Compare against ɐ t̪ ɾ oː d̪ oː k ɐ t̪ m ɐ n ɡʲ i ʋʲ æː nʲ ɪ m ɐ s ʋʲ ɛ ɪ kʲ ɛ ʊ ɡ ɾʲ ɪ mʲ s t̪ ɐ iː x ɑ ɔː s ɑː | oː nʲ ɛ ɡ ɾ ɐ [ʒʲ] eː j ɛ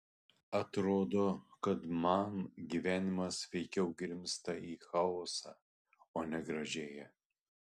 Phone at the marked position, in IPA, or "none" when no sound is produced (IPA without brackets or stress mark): ʒʲ